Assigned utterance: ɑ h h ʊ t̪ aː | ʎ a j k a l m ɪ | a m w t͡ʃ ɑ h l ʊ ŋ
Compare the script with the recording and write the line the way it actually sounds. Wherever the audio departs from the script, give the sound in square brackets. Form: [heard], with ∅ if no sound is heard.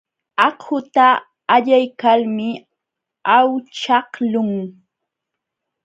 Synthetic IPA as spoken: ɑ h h ʊ t̪ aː | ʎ a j k a l m ɪ | a [∅] w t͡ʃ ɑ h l ʊ ŋ